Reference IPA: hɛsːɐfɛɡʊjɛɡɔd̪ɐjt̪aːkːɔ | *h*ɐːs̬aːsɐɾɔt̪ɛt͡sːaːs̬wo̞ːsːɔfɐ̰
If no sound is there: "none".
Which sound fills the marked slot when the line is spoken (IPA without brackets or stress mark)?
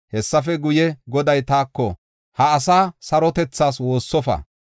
h